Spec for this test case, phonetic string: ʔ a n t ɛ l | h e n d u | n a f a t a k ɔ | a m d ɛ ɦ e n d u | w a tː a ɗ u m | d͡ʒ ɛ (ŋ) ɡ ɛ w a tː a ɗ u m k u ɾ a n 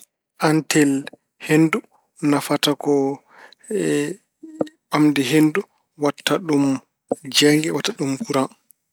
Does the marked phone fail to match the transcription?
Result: no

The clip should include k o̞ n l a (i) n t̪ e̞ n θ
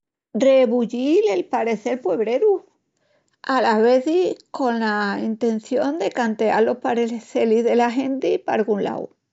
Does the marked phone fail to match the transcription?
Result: no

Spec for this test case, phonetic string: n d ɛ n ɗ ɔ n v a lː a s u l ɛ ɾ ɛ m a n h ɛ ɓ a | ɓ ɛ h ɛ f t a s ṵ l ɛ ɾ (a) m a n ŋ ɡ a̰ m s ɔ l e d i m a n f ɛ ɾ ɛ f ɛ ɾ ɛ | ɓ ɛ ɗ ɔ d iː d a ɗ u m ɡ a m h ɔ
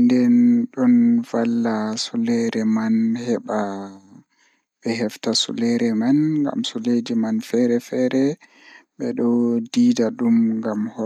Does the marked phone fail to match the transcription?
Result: yes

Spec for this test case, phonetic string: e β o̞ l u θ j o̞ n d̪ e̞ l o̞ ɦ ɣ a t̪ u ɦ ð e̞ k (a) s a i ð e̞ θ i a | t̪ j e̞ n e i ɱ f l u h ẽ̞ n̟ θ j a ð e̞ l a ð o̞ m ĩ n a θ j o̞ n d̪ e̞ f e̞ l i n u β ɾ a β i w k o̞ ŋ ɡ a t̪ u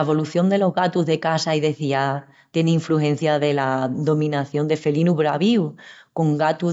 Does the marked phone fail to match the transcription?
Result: no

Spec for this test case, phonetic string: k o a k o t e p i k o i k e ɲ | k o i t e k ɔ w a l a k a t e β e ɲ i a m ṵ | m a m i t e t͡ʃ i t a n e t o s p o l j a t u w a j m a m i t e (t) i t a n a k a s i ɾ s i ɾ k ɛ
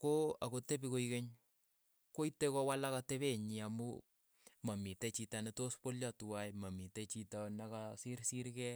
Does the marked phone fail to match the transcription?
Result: yes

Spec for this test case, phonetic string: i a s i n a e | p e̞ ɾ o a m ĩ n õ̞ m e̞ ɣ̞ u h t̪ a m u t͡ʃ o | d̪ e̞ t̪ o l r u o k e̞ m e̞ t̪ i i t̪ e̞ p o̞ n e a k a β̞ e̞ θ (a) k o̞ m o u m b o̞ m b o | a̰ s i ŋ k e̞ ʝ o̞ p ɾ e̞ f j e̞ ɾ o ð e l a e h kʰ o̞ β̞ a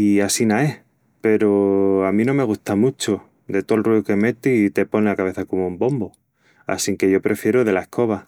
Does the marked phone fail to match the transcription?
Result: no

